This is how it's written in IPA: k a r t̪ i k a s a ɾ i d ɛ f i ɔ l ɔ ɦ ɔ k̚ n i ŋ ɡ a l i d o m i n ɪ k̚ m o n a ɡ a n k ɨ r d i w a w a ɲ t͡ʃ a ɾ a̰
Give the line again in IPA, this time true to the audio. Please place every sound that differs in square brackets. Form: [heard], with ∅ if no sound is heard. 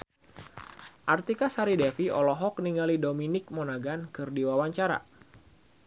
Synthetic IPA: [ʔ] a r t̪ i k a s a ɾ i d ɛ f i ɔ l ɔ ɦ ɔ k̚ n i ŋ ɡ a l i d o m i n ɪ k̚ m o n a ɡ a n k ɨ r d i w a w a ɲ t͡ʃ a ɾ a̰